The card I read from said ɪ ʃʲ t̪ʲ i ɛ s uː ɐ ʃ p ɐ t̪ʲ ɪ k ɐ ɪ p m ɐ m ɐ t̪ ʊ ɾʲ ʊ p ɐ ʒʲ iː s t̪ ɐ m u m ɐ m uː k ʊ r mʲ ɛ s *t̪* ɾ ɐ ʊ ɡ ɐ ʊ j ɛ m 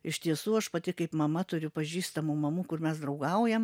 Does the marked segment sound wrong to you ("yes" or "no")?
yes